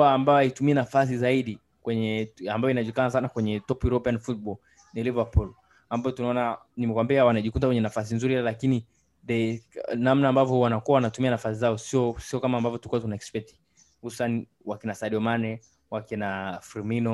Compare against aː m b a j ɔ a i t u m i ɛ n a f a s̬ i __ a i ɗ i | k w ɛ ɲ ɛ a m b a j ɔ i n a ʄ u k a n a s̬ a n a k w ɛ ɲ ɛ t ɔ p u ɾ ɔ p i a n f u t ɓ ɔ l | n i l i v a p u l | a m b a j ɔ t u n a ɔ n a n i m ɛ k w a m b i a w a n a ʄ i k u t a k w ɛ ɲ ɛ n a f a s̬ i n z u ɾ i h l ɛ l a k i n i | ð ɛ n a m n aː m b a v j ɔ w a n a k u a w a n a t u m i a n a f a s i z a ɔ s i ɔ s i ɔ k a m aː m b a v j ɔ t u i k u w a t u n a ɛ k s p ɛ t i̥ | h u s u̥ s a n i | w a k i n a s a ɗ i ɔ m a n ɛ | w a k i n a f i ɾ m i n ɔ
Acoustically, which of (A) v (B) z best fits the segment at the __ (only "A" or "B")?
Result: B